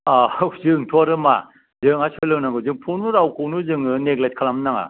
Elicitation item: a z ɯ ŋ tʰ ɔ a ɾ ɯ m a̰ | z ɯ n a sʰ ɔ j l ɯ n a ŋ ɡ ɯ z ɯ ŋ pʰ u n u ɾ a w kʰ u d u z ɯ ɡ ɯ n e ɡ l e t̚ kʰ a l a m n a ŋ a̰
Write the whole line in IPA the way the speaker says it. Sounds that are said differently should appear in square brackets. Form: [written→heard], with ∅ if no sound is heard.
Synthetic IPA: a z ɯ ŋ tʰ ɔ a ɾ ɯ m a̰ | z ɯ [n→ŋ] a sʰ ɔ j l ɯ n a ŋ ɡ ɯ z ɯ ŋ pʰ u n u ɾ a w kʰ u [d→n] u z ɯ [ɡ→ŋ] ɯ n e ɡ l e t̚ kʰ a l a m n a ŋ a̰